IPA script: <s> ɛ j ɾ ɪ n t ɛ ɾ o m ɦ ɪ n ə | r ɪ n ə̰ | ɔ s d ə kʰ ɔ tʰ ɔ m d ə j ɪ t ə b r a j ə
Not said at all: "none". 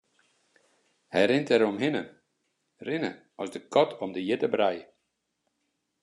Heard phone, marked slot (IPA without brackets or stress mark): h